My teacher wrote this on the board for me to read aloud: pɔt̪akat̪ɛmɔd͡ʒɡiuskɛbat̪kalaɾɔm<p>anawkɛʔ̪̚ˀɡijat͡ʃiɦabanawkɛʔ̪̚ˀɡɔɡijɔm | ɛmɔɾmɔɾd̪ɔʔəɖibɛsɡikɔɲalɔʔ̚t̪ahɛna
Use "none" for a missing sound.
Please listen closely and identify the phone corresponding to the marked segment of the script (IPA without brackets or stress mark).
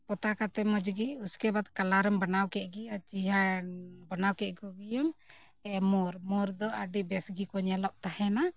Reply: b